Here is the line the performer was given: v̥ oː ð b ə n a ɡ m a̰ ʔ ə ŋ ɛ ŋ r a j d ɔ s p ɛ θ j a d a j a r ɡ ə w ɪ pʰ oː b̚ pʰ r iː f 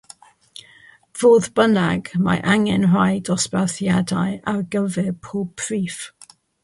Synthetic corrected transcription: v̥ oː ð b ə n a ɡ m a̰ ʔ a ŋ ɛ n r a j d ɔ s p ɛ θ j a d a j a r ɡ ə v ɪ pʰ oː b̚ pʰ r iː f